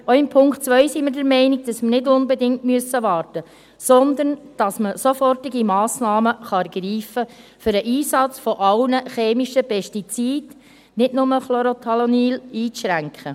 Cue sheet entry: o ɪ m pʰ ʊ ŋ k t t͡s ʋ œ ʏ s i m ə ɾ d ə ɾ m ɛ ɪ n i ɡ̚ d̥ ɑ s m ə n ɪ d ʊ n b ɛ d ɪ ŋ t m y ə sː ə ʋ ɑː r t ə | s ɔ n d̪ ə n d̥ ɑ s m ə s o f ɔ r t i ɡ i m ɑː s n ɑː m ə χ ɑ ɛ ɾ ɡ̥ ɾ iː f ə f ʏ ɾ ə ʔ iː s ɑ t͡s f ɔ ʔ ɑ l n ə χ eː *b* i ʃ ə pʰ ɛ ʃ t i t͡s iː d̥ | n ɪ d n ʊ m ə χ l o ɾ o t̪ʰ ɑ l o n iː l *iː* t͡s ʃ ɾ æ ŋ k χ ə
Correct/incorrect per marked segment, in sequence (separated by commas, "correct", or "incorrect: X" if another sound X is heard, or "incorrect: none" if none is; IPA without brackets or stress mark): incorrect: m, correct